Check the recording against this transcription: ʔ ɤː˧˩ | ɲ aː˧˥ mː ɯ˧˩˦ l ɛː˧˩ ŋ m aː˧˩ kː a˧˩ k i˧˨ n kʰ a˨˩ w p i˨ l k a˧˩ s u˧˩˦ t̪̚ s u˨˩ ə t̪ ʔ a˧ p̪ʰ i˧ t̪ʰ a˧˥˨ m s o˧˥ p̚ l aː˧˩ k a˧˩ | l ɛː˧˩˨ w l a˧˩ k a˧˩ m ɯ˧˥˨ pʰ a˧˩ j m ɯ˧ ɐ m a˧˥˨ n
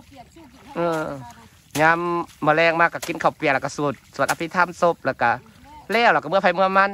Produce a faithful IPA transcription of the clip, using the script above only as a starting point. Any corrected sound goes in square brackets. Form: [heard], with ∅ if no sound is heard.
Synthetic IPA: ʔ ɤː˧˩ | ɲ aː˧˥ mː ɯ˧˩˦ l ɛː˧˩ ŋ m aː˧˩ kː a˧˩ k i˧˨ n kʰ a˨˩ w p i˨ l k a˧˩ s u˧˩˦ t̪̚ s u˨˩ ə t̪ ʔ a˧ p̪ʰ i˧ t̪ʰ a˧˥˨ m s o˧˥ p̚ l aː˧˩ k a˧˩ | l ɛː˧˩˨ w l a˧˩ k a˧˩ m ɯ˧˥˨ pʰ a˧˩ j m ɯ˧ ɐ m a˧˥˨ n